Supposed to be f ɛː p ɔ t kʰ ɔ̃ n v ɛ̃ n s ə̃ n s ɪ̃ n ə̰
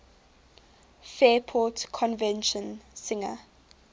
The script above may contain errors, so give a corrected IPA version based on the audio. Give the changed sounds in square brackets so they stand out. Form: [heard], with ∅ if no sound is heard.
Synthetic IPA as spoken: f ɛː [pʰ] ɔ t kʰ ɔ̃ n v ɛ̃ n [ʃ] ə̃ n s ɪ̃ [ŋ] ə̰